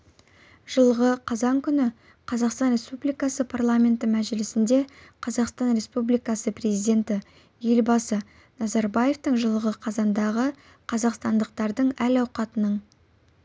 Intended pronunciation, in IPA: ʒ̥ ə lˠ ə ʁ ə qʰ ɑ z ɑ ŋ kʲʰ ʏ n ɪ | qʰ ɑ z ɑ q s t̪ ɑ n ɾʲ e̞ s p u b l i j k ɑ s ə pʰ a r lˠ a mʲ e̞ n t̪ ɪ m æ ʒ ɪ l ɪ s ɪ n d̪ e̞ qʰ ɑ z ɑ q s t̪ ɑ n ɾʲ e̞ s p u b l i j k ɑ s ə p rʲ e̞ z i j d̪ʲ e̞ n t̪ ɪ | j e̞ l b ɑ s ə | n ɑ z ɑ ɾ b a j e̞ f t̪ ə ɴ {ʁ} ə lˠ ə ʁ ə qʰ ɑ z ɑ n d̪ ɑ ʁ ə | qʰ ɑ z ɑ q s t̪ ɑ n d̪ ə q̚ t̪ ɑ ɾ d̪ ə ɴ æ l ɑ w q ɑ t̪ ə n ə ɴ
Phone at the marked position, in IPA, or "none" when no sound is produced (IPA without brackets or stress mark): ʒ